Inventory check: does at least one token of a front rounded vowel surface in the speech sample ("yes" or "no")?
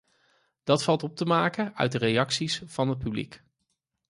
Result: yes